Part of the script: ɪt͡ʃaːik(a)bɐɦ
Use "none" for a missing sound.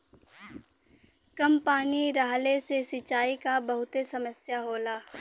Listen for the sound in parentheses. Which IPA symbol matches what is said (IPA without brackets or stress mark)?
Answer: a